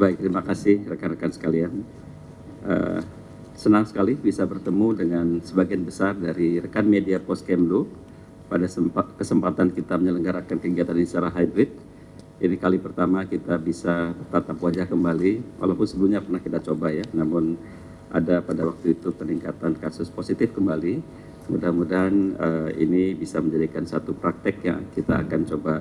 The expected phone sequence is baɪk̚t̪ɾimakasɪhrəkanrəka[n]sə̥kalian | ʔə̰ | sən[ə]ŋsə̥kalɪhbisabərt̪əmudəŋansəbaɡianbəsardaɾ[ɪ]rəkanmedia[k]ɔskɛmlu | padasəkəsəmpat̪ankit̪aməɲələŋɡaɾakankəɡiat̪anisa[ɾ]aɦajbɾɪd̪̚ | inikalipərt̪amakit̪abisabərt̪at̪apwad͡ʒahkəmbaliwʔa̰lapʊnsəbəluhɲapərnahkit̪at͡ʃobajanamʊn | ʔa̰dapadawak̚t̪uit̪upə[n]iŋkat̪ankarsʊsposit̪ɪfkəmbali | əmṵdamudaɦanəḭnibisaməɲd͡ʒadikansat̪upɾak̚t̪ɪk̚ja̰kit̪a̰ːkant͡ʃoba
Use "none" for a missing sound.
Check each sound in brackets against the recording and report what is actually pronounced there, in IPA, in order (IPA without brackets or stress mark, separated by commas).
n, a, i, p, ɾ, n